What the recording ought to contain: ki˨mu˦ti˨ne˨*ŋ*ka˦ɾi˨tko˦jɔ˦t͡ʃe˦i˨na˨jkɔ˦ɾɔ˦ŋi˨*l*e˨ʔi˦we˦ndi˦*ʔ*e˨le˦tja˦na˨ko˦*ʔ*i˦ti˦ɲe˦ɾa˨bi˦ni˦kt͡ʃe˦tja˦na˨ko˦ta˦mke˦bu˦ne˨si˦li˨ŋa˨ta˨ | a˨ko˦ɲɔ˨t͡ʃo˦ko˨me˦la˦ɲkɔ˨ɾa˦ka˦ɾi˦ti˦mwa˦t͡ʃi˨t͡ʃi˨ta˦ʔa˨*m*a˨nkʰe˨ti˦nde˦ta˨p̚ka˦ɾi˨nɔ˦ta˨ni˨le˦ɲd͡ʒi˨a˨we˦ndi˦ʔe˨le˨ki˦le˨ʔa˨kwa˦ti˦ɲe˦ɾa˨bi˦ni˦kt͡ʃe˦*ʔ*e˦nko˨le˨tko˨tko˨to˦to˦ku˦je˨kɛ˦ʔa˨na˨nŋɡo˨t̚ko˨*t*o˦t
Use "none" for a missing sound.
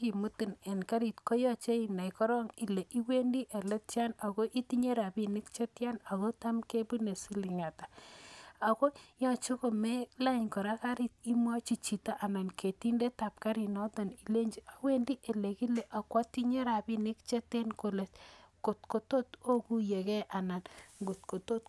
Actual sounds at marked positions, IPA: n, l, ʔ, ʔ, n, t, t

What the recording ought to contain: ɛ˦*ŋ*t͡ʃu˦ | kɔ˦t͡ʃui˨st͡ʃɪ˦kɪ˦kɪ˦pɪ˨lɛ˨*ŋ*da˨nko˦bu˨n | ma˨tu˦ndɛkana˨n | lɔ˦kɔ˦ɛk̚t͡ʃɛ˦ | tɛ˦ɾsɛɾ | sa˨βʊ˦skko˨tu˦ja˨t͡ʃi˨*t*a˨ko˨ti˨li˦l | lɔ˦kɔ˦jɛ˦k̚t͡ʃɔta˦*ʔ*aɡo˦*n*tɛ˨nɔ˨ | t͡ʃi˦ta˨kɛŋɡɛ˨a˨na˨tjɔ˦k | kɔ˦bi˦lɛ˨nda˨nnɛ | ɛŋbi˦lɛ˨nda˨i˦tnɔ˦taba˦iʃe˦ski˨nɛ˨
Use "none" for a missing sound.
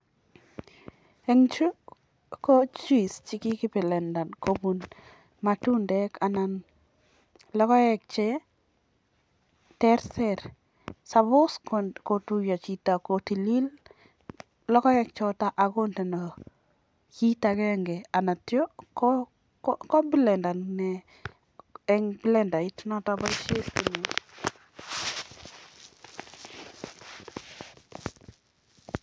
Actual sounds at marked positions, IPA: ŋ, n, t, ʔ, n

